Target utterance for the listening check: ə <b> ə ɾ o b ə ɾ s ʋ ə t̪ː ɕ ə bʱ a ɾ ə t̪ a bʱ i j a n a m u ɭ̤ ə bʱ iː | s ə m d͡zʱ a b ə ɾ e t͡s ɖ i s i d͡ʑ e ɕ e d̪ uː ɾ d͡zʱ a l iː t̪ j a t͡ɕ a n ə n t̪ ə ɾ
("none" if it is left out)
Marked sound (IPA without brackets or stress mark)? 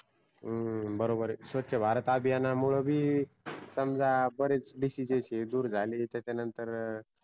b